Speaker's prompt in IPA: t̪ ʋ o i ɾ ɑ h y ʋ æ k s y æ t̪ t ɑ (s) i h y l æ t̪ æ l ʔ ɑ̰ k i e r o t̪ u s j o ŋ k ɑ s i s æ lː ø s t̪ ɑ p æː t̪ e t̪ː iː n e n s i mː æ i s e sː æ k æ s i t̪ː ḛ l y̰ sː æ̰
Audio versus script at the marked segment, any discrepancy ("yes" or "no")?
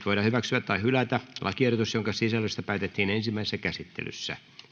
yes